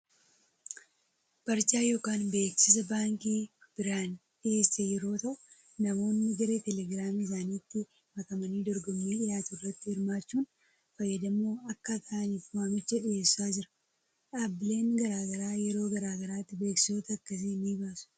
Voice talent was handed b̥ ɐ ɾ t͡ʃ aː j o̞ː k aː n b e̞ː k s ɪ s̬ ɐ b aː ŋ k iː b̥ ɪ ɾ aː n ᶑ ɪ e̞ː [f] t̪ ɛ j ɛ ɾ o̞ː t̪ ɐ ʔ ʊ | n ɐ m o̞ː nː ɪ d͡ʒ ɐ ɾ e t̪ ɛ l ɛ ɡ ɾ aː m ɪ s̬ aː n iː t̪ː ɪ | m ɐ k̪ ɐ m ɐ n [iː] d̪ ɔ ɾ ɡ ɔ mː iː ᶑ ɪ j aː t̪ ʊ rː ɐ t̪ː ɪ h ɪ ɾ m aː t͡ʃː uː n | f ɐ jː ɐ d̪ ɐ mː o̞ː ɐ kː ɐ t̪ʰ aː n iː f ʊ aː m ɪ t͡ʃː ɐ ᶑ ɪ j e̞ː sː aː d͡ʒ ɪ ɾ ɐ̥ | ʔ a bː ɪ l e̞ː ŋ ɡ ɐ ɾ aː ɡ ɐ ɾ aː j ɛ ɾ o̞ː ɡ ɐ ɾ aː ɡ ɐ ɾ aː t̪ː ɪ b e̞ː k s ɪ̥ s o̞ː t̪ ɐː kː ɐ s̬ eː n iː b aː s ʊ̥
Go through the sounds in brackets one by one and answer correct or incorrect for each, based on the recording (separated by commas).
incorrect, correct